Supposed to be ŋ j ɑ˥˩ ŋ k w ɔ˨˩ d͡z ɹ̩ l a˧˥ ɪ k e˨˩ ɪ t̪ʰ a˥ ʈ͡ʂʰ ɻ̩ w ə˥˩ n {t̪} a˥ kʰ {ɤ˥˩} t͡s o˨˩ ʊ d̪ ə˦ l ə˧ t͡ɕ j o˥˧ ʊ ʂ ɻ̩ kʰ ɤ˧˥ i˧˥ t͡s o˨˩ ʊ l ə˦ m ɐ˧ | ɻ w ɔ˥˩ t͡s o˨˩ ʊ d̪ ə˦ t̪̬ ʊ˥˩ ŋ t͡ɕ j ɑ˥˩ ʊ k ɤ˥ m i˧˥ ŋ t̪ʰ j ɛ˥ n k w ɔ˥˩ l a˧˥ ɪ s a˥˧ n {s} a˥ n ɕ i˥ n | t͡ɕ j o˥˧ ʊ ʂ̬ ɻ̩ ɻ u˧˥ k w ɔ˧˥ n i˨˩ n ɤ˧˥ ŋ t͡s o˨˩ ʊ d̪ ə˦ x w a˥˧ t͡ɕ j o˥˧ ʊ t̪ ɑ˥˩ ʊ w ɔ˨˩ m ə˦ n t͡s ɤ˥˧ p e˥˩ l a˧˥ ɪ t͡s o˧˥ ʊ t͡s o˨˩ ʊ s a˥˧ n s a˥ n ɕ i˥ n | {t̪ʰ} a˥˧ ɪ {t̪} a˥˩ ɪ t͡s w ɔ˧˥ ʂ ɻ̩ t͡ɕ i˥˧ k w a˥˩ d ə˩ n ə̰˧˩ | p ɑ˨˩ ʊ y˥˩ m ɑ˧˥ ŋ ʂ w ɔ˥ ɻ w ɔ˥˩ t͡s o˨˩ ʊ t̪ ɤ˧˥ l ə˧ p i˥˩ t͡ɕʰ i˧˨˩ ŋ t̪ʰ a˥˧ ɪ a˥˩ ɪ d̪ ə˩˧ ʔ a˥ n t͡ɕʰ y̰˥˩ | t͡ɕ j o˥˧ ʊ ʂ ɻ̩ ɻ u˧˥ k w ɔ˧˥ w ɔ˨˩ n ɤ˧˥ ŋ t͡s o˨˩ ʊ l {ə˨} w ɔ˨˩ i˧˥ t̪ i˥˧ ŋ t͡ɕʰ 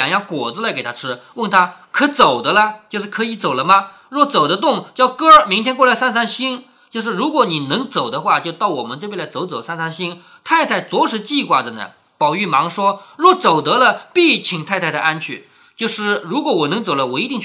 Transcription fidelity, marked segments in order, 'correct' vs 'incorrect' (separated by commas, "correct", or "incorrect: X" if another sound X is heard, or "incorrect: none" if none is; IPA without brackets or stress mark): incorrect: t̪ʰ, incorrect: ɤ˧˥, correct, correct, incorrect: t̪ʰ, incorrect: ə˦